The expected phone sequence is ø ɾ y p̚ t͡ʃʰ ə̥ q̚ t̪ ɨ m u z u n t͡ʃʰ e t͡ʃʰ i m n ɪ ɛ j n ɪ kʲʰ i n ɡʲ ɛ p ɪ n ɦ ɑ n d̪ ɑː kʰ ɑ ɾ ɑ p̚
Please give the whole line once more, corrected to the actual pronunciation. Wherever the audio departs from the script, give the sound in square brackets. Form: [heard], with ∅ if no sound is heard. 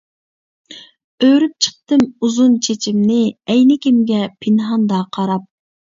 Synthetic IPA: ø ɾ y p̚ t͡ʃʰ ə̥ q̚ t̪ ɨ m u z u n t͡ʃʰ e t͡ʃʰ i m n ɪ ɛ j n ɪ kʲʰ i [m] ɡʲ ɛ [pʰ] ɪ n ɦ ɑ n d̪ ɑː [qʰ] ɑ ɾ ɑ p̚